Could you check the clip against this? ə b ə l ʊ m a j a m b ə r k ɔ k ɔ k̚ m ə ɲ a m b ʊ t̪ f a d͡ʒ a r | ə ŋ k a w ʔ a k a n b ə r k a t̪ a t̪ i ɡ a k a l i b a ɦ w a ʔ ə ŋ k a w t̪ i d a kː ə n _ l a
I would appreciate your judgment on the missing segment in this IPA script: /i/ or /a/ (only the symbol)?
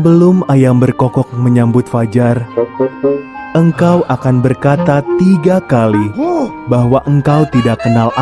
a